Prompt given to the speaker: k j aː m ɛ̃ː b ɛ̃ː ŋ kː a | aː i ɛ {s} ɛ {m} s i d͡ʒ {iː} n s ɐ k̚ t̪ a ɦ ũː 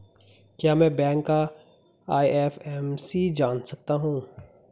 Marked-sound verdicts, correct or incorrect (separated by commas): incorrect, correct, incorrect